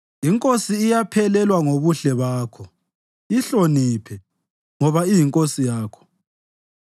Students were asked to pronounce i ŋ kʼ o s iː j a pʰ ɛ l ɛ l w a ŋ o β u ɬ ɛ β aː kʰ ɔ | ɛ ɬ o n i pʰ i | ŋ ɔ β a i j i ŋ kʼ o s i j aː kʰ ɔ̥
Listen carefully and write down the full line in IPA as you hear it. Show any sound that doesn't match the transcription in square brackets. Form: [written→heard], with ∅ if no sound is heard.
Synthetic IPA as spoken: i ŋ kʼ o s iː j a pʰ ɛ l ɛ l w a ŋ o β u ɬ ɛ β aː kʰ ɔ | [ɛ→i] ɬ o n i pʰ [i→ɛ] | ŋ ɔ β a i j i ŋ kʼ o s i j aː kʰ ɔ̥